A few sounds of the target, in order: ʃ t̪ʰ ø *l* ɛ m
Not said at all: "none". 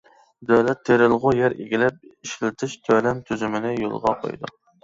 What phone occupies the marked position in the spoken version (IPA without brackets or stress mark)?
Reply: l